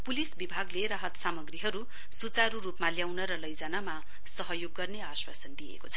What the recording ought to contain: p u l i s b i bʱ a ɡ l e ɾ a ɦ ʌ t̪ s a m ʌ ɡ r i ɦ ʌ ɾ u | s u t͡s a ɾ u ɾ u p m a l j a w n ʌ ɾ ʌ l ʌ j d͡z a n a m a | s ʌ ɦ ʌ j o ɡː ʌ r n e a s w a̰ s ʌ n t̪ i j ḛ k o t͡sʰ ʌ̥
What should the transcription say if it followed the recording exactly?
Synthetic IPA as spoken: p u l i s b i bʱ a ɡ l e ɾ a ɦ ʌ t̪ s a m ʌ ɡ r i ɦ ʌ ɾ u | s u t͡s a ɾ u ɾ u p m a l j a w n ʌ ɾ ʌ l ʌ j d͡z a n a m a | s ʌ ɦ ʌ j o ɡː ʌ r n e a s w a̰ s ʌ n d̪ i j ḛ k o t͡sʰ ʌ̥

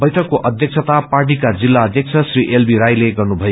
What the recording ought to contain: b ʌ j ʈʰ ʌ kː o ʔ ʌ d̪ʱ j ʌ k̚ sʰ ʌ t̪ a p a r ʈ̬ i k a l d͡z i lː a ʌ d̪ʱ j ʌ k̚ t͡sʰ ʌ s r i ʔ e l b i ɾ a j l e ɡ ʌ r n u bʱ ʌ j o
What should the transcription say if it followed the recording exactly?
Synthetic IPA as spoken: b ʌ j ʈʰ ʌ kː o ʔ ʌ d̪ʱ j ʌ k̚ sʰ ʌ t̪ a p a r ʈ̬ i k a d͡z i lː a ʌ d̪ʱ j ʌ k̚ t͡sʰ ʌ s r i ʔ e l b i ɾ a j l e ɡ ʌ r n u bʱ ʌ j o

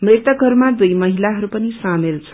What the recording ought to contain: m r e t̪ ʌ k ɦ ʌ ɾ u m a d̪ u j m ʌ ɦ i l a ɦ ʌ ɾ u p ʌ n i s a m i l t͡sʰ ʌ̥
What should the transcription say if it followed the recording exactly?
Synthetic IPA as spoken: m r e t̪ ʌ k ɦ ʌ ɾ u m a d̪ u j m ʌ ɦ i l a ɦ ʌ ɾ u p ʌ n i s a m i l t͡sʰ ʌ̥

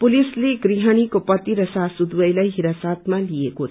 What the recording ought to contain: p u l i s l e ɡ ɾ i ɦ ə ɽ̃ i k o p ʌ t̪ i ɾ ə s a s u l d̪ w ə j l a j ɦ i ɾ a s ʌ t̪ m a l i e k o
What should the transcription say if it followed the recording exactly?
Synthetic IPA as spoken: p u l i s l e ɡ ɾ i ɦ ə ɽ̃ i k o p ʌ t̪ i ɾ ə s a s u d̪ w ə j l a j ɦ i ɾ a s a t̪ m a l i e k o

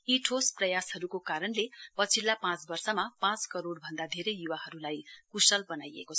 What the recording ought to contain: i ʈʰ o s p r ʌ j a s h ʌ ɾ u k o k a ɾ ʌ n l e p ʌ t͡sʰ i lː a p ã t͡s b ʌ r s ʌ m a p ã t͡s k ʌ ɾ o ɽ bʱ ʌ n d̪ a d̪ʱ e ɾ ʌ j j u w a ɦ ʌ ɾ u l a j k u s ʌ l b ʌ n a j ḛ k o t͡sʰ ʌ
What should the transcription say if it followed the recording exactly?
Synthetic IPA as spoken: i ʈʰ o s p r ʌ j a s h ʌ ɾ u k o k a ɾ ʌ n l e p ʌ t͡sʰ i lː a p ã t͡s b ʌ r s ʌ m a p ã t͡s k ʌ ɾ o ɽ bʱ ʌ n d̪ a d̪ʱ e ɾ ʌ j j u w a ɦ ʌ ɾ u l a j k u s ʌ l b ʌ n a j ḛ k o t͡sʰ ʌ

